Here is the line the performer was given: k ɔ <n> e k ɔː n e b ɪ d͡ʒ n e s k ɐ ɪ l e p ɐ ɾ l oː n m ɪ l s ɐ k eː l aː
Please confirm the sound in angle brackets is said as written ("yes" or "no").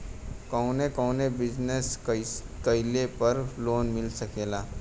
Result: yes